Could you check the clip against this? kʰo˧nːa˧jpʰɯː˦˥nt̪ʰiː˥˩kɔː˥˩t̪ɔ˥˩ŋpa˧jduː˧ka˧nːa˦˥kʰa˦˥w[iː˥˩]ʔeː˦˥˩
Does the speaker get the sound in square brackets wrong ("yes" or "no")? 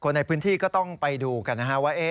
yes